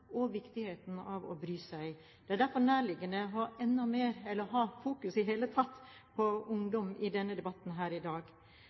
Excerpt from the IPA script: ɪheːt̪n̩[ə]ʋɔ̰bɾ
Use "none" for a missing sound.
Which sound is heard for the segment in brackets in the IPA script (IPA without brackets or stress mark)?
ɑ